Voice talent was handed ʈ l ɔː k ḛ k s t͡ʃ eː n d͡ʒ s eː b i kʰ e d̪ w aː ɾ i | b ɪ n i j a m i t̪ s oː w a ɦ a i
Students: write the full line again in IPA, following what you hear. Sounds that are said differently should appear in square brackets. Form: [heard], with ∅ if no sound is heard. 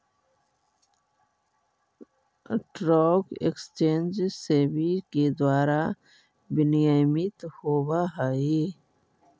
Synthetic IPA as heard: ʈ [ɾ] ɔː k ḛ k s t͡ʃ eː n d͡ʒ s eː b i [k] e d̪ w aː ɾ [a] | b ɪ n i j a m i t̪ [h] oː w a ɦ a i